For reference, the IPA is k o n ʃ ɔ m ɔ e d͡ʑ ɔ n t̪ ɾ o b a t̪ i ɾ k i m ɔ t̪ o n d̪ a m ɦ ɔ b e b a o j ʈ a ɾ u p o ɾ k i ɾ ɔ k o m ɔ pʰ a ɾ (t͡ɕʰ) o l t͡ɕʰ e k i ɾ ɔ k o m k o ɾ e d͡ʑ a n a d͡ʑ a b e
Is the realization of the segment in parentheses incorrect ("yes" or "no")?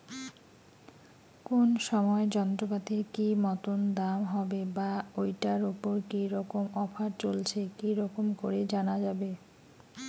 yes